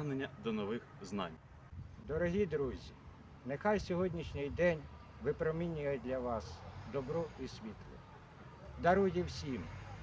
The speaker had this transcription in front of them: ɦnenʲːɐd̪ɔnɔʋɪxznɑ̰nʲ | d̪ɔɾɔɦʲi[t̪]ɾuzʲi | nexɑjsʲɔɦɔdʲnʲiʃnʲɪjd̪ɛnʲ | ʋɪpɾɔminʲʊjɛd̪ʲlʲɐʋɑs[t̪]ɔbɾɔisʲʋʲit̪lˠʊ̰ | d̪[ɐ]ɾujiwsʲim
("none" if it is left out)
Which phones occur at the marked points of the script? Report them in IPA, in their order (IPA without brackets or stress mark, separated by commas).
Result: d̪, d̪, ɐ